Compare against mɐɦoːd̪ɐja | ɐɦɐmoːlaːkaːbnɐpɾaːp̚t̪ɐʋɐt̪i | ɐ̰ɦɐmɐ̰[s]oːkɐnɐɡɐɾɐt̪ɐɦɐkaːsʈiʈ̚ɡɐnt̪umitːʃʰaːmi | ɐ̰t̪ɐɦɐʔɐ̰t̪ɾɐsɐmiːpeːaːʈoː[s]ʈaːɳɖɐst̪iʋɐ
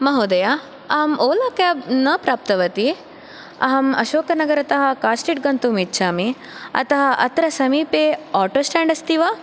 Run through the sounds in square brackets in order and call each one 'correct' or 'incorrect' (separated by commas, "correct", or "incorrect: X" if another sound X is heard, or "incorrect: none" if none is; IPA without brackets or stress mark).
incorrect: ʃ, correct